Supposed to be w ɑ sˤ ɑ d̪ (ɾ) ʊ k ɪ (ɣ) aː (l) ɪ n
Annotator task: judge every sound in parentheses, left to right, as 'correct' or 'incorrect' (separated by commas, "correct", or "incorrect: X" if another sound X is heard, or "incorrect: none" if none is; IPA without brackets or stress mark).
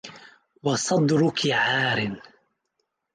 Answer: correct, incorrect: ʕ, incorrect: ɾ